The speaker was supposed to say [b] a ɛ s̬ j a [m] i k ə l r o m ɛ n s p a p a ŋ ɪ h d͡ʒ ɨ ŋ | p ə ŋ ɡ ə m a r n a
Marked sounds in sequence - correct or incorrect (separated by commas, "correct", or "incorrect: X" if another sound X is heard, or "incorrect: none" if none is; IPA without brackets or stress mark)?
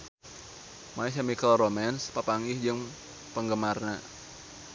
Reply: incorrect: m, correct